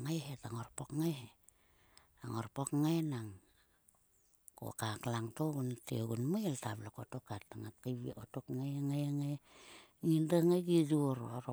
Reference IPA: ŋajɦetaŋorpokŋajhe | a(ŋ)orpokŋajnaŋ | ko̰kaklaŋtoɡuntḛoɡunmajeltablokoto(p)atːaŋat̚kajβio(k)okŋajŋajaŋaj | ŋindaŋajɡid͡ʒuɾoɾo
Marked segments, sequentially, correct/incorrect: correct, incorrect: k, incorrect: t

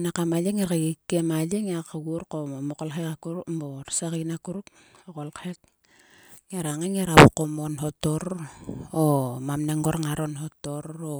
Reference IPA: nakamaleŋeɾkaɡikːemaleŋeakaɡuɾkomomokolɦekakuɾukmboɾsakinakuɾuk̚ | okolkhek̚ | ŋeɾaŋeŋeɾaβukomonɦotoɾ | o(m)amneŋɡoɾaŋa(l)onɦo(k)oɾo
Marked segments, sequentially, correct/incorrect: correct, incorrect: ɾ, incorrect: t

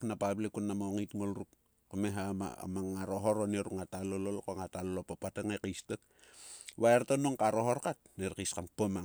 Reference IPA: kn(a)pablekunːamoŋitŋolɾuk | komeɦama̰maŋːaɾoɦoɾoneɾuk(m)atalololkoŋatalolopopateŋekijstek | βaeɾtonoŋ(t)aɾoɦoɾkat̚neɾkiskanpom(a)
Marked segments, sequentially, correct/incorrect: correct, incorrect: ŋ, incorrect: k, correct

